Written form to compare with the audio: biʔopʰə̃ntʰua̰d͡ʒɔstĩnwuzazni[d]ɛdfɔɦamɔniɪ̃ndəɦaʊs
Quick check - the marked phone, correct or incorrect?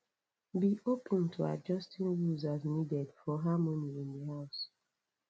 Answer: correct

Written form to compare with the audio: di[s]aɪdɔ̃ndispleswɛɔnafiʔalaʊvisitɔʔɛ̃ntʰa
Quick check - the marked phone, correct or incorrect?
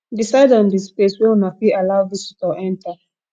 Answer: correct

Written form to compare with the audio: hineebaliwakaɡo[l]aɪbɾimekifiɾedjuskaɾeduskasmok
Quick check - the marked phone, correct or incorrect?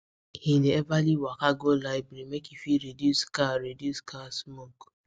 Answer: correct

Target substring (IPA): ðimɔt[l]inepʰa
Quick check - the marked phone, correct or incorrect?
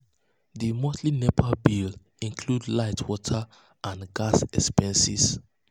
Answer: correct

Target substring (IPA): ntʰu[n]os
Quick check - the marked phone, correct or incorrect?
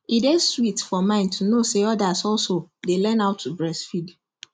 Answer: correct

